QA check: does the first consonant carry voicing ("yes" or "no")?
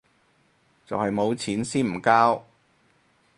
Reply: no